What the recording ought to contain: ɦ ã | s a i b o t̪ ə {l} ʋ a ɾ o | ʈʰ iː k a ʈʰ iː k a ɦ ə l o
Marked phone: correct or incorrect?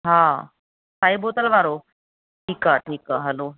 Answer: correct